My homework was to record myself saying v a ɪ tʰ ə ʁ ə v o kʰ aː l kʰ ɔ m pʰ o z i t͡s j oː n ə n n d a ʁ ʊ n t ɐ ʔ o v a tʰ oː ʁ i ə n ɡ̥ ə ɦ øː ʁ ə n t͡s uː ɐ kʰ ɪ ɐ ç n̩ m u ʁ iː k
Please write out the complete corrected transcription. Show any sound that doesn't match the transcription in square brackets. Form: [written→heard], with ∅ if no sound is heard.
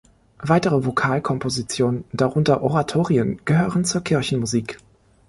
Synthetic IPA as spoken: v a ɪ [tʰ→t] ə ʁ ə v o kʰ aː l kʰ ɔ m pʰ o z i t͡s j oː n ə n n d a ʁ ʊ n t ɐ ʔ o [v→ʁ] a tʰ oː ʁ i ə n ɡ̥ ə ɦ øː ʁ ə n t͡s uː ɐ kʰ ɪ ɐ ç n̩ m u [ʁ→z] iː k